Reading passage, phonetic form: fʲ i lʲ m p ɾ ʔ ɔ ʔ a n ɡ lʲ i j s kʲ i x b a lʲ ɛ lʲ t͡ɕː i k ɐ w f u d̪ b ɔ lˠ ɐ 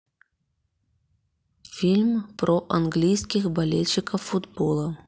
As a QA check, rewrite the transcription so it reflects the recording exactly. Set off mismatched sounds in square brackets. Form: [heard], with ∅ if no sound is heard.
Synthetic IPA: fʲ i lʲ m p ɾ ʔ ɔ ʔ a n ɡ lʲ i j s kʲ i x b a lʲ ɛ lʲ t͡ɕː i k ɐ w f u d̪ b ɔ lˠ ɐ